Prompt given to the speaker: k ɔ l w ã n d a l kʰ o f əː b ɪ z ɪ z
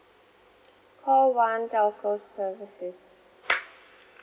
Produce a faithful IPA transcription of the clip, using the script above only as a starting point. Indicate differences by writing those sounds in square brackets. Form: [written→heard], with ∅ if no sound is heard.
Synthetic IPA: [k→kʰ] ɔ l w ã n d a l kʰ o [f→s] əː [b→v] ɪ [z→s] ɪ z